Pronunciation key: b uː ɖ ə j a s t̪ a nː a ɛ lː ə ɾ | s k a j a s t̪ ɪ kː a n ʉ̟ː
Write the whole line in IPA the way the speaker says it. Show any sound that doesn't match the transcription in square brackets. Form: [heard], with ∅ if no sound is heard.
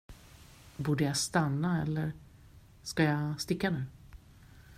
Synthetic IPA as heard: b uː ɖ ə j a s t̪ a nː a ɛ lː ə ɾ | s k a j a s t̪ ɪ kː a n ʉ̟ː